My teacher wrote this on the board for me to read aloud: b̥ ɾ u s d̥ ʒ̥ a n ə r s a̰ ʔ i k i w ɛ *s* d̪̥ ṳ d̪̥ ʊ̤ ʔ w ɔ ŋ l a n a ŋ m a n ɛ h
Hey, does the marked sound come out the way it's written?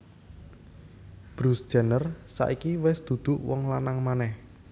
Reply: yes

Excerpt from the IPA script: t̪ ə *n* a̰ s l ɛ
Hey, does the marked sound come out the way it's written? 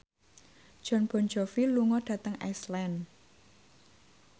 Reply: no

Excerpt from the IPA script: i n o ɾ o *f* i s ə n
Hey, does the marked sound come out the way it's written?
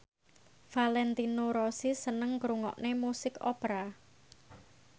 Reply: no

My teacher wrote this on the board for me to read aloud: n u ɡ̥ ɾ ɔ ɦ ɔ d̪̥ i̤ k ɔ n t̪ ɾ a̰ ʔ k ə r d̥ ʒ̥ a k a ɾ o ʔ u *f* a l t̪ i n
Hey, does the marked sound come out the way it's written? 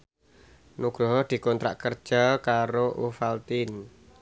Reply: yes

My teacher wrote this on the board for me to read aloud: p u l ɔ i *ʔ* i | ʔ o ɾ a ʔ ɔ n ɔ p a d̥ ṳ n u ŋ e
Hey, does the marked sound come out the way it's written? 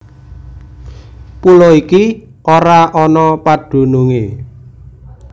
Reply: no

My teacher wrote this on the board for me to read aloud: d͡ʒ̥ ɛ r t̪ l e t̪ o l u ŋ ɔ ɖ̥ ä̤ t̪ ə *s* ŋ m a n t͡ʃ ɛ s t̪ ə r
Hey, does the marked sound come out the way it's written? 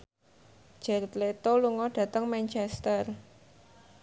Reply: no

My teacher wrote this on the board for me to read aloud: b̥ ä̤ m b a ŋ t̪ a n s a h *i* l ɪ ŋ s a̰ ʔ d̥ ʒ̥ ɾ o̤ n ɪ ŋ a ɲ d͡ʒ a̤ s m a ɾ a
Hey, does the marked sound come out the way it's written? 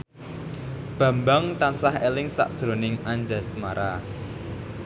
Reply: no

